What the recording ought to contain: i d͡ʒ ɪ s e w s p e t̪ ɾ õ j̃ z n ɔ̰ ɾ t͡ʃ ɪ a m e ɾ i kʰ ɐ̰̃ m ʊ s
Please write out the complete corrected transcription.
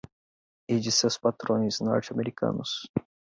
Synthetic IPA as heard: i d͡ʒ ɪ s e w s p a t̪ ɾ õ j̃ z n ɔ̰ ɾ t͡ʃ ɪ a m e ɾ i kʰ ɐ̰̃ n ʊ s